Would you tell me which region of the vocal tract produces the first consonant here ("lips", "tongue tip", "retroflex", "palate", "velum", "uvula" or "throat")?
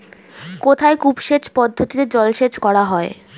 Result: velum